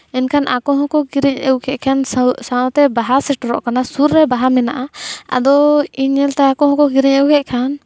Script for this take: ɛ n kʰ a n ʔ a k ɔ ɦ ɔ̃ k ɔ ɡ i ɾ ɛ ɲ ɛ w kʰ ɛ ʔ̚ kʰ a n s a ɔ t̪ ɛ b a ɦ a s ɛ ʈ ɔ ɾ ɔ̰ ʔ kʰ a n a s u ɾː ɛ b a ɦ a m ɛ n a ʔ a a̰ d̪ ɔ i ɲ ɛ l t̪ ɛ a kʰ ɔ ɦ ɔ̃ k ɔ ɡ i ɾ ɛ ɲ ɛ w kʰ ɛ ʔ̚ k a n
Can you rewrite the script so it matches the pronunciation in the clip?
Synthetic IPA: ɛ n kʰ a n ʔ a k ɔ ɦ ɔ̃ k ɔ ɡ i ɾ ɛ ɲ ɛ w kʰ ɛ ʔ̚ kʰ a n s a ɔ t̪ ɛ b a ɦ a s ɛ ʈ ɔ ɾ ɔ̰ ʔ k a n a s u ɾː ɛ b a ɦ a m ɛ n a ʔ a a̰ d̪ ɔ i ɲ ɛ l t̪ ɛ a k ɔ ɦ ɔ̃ k ɔ ɡ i ɾ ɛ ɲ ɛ w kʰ ɛ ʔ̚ kʰ a n